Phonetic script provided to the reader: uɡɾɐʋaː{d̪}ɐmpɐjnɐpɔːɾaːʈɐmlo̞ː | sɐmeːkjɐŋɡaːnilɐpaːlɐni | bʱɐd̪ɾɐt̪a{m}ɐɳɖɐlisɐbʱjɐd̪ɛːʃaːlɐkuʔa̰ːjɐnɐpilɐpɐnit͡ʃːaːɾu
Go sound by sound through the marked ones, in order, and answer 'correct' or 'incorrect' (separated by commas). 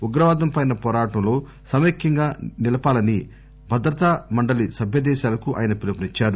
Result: correct, correct